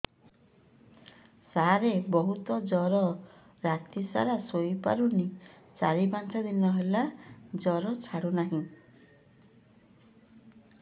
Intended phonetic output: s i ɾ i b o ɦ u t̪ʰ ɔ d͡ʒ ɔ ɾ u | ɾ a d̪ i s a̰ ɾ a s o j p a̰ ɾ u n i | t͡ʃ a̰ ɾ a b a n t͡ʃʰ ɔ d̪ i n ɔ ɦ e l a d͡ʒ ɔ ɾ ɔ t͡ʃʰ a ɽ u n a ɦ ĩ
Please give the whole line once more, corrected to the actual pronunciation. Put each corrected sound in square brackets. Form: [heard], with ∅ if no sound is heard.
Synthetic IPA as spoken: s [a] ɾ [e] b [ɔ] ɦ u [t̪] ɔ d͡ʒ ɔ ɾ [ɔ] | ɾ a [t̪] i s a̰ ɾ a s o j p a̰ ɾ u n i | t͡ʃ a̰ ɾ [i] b a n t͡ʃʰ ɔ d̪ i n ɔ ɦ e l a d͡ʒ ɔ ɾ ɔ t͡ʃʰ a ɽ u n a ɦ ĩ

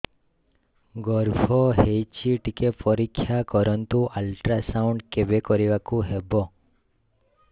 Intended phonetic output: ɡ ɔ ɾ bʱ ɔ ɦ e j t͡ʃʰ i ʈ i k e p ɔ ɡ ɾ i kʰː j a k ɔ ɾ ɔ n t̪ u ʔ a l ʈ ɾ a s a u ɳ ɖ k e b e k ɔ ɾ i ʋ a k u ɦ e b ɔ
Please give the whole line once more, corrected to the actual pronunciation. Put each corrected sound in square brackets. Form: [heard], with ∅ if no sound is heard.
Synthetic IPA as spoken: ɡ ɔ ɾ bʱ ɔ ɦ e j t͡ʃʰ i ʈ i k e p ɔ [∅] ɾ i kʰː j a k ɔ ɾ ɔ n t̪ u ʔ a l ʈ ɾ a s a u ɳ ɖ k e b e k ɔ ɾ i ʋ a k u ɦ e b ɔ

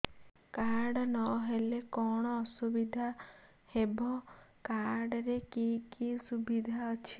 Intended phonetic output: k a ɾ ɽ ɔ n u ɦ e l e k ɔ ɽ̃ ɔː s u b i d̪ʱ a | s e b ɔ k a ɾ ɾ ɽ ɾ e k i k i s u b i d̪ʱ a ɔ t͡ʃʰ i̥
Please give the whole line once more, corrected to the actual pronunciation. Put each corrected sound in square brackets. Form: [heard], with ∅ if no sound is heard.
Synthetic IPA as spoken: k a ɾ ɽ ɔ n [ɔ] ɦ e l e k ɔ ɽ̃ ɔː s u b i d̪ʱ a | [h] e b ɔ k a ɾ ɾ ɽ ɾ e k i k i s u b i d̪ʱ a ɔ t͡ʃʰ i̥

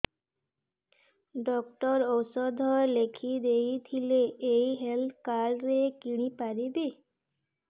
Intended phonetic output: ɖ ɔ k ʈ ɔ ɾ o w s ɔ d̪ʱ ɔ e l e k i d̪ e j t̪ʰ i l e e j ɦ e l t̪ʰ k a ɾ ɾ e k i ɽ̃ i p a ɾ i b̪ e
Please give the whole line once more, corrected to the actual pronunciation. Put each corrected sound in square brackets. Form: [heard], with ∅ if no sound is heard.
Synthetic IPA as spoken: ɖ ɔ k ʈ ɔ ɾ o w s ɔ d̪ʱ ɔ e l e [kʰ] i d̪ e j t̪ʰ i l e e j ɦ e l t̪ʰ k a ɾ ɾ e k i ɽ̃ i p a ɾ i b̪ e

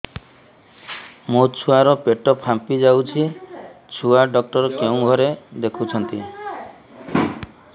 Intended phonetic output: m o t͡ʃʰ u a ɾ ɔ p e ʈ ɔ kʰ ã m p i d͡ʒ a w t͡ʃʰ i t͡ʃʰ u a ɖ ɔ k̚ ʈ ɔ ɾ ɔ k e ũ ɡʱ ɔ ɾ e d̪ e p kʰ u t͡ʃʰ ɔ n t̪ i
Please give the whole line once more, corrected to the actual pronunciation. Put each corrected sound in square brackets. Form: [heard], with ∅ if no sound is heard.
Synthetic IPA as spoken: m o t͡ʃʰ u a ɾ ɔ p e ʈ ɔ [pʰ] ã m p i d͡ʒ a w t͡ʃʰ i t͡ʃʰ u a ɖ ɔ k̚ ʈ ɔ ɾ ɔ k e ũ ɡʱ ɔ ɾ e d̪ e [∅] kʰ u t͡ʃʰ ɔ n t̪ i

